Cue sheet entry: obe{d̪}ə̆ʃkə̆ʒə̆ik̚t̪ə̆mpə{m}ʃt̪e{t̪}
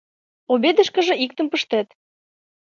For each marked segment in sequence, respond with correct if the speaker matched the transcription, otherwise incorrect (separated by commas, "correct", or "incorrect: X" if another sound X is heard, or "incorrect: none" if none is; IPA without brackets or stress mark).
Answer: correct, incorrect: none, correct